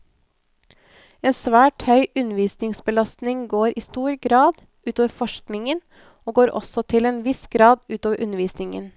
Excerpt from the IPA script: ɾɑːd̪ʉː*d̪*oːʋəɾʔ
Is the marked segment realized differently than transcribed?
yes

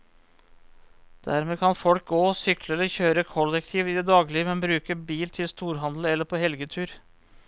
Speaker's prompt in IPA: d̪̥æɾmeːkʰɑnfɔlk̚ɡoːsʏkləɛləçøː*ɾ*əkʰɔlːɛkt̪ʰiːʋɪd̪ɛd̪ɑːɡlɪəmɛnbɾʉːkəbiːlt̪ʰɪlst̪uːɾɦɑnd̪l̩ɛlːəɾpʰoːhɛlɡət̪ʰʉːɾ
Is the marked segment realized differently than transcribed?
no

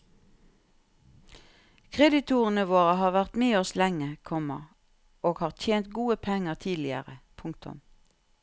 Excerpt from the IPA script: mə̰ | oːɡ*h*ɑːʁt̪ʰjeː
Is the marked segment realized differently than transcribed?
no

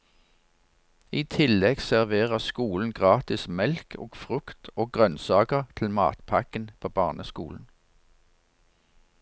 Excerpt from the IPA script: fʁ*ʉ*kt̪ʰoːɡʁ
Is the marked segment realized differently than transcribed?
no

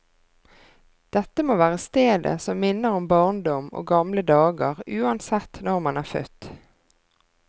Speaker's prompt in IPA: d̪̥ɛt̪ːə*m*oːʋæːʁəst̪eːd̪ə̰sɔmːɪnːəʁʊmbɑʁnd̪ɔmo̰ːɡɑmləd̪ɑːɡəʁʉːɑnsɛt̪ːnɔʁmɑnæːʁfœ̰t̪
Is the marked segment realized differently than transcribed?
no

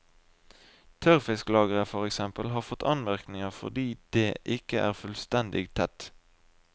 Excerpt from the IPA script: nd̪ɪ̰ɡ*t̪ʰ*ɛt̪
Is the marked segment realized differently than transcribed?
no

